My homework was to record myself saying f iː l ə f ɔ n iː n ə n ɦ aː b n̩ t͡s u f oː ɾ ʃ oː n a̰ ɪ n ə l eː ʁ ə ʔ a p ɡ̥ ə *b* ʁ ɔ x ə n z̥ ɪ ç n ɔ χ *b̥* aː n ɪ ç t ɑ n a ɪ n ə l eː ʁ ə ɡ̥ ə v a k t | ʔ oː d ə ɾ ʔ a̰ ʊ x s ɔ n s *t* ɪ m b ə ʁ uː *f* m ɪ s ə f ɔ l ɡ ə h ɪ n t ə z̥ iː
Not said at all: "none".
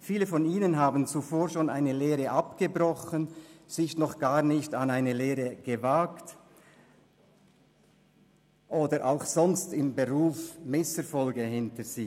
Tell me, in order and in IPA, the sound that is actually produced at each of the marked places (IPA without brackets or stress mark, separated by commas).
b, ɡ̥, t, f